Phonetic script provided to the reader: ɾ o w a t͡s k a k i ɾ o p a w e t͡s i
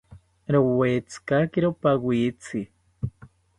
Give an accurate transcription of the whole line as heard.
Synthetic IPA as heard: ɾ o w e t͡s k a k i ɾ o p a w i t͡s i